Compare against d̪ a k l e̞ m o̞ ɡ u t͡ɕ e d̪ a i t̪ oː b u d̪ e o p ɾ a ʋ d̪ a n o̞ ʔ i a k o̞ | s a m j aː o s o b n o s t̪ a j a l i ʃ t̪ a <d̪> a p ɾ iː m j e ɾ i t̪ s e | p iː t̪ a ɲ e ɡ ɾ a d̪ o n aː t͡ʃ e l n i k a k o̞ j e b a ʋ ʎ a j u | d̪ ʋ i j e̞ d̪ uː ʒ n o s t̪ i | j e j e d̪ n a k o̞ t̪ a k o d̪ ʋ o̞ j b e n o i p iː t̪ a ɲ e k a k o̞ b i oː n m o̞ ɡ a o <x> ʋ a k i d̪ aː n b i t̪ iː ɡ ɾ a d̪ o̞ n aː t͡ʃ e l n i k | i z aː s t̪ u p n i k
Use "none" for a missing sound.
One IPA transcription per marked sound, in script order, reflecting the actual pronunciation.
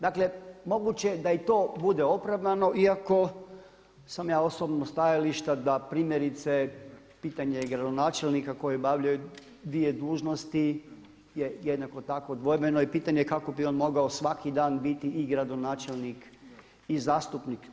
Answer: d̪, s

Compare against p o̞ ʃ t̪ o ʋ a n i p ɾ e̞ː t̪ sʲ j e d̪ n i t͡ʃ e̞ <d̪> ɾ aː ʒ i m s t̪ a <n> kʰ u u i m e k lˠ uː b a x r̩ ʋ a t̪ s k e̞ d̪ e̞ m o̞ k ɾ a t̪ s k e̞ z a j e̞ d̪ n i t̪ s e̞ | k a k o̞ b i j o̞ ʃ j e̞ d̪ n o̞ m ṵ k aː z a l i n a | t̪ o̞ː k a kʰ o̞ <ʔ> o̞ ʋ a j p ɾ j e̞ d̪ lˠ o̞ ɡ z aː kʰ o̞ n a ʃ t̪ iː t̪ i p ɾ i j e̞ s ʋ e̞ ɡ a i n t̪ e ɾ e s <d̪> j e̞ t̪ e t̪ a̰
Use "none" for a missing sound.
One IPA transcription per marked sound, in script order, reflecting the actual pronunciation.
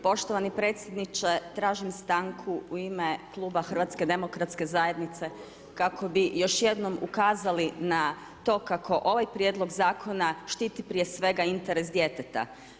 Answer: t̪, ŋ, ʔ, d̪

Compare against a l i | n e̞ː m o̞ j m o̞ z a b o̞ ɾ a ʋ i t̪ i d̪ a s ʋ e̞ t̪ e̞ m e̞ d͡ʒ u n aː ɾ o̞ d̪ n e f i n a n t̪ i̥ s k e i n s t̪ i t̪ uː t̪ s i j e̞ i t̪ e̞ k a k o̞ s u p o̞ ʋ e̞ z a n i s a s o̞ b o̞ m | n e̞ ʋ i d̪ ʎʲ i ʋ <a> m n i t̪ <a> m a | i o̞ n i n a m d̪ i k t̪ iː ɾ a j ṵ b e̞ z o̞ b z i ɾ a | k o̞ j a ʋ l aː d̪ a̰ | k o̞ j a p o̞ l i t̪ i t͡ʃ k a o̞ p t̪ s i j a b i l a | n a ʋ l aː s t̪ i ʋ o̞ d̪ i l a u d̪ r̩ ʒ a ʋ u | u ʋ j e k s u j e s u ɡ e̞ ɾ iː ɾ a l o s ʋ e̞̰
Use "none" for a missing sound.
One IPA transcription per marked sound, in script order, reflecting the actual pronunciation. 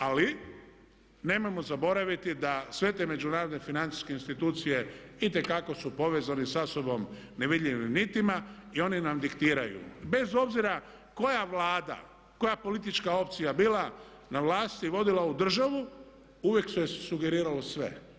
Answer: i, i

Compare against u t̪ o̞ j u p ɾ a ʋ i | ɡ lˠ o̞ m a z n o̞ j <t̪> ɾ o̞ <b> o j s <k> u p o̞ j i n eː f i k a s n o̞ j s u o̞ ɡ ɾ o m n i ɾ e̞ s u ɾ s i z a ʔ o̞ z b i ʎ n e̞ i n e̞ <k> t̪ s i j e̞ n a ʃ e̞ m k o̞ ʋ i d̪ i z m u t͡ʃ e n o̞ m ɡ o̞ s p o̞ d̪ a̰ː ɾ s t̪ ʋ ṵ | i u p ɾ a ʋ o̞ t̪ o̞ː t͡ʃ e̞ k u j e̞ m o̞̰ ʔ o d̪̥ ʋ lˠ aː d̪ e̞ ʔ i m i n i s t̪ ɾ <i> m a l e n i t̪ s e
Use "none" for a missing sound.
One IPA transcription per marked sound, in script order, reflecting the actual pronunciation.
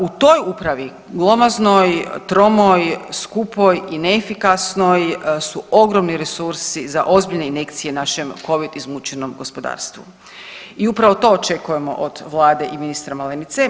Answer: t̪, m, k, k, a

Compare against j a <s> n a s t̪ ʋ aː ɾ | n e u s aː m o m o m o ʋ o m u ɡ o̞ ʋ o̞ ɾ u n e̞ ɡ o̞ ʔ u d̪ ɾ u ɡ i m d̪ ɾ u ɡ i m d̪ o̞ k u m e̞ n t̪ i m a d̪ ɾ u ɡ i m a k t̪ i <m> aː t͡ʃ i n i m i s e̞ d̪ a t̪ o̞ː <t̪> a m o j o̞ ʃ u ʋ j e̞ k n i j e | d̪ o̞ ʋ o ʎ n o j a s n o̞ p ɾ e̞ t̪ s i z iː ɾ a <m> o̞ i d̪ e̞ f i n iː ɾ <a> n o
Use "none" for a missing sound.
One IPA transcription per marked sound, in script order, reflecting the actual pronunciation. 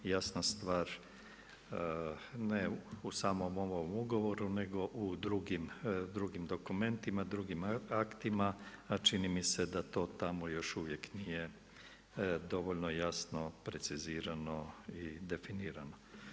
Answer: s, m, t̪, n, a

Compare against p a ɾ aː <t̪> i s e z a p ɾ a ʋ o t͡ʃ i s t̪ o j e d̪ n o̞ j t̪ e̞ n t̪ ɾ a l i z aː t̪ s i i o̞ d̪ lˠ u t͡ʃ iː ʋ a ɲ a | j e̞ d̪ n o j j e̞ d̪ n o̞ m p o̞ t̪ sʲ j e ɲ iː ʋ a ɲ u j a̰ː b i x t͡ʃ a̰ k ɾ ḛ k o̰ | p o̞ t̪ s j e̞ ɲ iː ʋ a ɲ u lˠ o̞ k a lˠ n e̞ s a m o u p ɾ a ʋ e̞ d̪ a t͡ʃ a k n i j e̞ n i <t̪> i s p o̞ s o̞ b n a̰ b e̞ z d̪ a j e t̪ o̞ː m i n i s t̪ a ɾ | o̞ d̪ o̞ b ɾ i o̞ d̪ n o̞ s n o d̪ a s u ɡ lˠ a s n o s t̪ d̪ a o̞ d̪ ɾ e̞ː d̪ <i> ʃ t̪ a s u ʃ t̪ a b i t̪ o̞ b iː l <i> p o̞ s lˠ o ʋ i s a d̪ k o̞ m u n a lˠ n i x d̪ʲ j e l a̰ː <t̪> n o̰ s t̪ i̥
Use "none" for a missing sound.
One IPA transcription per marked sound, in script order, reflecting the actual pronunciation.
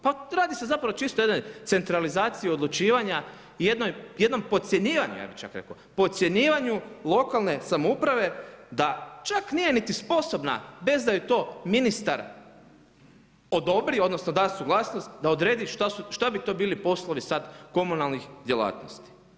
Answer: d̪, t̪, i, i, t̪

